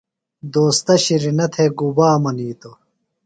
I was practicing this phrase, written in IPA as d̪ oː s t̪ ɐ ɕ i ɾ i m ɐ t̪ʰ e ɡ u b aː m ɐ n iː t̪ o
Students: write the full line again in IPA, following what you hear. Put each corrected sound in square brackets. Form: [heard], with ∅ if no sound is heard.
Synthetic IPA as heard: d̪ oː s t̪ ɐ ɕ i ɾ i [n] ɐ t̪ʰ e ɡ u b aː m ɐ n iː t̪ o